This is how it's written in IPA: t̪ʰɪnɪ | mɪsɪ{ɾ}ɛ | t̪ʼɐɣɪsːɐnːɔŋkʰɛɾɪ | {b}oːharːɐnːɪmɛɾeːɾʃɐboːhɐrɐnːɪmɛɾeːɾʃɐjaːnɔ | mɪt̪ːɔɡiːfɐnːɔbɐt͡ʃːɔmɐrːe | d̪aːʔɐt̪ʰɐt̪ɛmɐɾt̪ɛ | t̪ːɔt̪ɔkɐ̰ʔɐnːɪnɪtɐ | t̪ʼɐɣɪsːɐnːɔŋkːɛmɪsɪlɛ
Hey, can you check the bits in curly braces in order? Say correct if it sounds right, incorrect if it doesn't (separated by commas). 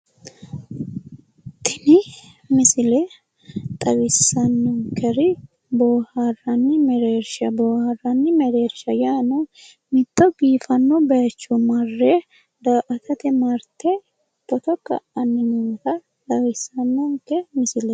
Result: incorrect, correct